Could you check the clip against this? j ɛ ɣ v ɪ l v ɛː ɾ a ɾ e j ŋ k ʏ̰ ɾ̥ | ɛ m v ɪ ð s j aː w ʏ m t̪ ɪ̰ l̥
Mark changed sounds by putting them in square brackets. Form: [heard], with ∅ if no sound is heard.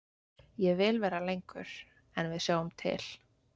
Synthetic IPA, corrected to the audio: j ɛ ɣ v ɪ l v ɛː ɾ a [l] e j ŋ k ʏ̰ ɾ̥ | ɛ [n] v ɪ ð s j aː w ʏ m [t̪ʰ] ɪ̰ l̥